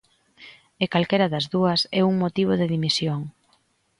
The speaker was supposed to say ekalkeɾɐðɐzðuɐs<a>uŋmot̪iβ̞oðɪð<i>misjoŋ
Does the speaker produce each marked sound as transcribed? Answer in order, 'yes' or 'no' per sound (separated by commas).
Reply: no, yes